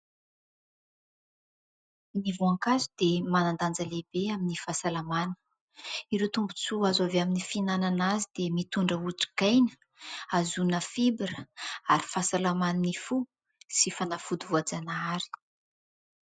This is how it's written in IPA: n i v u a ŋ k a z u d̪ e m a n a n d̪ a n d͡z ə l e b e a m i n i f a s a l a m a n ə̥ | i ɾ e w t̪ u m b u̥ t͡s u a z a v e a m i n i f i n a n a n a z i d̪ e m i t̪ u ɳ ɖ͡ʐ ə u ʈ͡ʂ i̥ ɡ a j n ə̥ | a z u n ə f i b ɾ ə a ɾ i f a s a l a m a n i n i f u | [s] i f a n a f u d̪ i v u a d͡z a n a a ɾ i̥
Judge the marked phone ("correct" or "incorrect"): correct